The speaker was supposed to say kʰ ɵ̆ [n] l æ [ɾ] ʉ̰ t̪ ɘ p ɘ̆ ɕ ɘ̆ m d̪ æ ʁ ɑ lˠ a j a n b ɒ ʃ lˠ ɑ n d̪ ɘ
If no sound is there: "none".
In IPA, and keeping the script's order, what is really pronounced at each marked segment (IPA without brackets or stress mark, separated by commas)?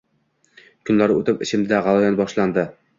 n, ɾ